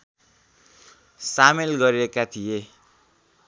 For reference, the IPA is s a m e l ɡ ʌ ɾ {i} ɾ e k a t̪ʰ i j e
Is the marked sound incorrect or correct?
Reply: correct